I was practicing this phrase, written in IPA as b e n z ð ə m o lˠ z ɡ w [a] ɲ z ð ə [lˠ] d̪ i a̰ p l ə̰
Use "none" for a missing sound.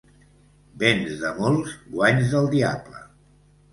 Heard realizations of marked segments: a, lˠ

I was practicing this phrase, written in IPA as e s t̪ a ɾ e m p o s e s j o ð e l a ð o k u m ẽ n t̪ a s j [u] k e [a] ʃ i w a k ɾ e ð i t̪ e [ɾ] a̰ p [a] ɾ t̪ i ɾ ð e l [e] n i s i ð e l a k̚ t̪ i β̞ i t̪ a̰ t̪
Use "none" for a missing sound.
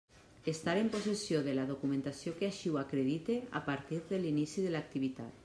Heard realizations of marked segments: o, a, none, a, i

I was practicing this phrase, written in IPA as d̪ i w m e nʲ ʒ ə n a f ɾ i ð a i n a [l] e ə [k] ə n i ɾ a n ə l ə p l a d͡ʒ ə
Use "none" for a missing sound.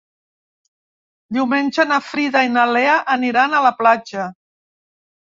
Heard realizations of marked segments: l, ʔ

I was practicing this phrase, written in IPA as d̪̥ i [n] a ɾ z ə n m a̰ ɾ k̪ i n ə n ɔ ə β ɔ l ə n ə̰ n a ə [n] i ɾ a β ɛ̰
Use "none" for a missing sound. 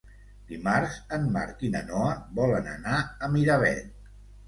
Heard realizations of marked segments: m, m

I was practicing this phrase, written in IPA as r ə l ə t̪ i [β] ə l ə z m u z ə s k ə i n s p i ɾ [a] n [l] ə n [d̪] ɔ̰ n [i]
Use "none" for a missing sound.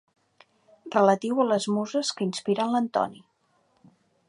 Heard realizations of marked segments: w, ə, l, t̪, i

